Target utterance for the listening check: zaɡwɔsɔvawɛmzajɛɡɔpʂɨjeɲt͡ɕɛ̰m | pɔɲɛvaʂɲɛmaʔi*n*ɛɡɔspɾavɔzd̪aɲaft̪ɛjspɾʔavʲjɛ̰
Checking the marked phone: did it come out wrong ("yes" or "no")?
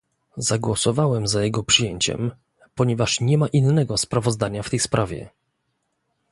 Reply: yes